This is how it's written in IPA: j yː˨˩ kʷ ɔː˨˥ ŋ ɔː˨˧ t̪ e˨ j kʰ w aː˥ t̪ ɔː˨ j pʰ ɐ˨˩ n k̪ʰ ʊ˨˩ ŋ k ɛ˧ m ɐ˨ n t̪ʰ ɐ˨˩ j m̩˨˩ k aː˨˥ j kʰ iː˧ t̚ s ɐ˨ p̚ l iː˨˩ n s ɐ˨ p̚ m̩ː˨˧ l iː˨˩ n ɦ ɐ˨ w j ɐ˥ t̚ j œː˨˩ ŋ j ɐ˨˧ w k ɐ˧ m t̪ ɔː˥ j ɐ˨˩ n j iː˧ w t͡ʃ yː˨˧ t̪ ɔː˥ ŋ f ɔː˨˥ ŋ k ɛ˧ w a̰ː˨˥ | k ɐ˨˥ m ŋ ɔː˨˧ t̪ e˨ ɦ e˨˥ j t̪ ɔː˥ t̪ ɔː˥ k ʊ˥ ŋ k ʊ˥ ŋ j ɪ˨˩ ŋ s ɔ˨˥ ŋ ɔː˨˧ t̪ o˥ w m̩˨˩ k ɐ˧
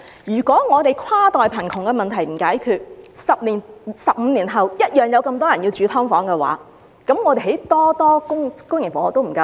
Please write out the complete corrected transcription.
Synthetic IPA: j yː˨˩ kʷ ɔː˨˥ ŋ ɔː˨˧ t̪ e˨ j kʰ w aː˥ t̪ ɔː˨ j pʰ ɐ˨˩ n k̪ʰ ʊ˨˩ ŋ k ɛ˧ m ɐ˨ n t̪ʰ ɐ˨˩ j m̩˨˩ k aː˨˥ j kʰ yː˧ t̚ s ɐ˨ p̚ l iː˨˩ n s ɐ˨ p̚ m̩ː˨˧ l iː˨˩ n ɦ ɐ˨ w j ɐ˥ t̚ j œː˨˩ ŋ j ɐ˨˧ w k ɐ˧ m t̪ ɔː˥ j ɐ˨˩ n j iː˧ w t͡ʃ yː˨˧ t̪ʰ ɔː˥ ŋ f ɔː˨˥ ŋ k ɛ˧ w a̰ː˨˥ | k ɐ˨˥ m ŋ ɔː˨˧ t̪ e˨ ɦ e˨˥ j t̪ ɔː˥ t̪ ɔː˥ k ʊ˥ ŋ k ʊ˥ ŋ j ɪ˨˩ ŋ f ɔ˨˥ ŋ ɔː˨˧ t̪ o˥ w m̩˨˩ k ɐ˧